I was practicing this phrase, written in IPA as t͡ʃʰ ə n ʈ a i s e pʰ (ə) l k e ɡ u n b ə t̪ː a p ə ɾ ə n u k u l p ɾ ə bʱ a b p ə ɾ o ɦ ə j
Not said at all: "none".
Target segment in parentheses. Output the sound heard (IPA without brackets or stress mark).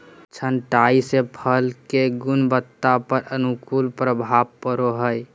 ə